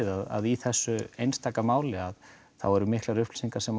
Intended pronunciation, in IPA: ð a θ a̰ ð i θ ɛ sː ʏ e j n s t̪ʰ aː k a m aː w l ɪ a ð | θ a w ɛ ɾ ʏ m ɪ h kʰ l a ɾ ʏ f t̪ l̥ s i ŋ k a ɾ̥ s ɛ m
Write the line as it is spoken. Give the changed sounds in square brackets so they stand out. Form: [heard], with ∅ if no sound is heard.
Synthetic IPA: ð a [ð] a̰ ð i θ ɛ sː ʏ e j n s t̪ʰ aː k a m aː w l ɪ a ð | θ a w ɛ ɾ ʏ m ɪ h [k] l a ɾ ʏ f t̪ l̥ s i ŋ k a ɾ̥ s ɛ m